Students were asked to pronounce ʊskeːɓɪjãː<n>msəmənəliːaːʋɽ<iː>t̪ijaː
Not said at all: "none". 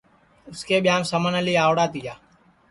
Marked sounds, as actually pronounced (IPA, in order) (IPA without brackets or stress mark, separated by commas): none, aː